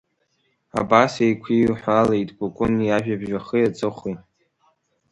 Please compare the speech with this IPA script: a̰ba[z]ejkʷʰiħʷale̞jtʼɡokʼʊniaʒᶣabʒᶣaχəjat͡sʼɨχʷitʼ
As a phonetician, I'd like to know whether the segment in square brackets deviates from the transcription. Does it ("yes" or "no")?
yes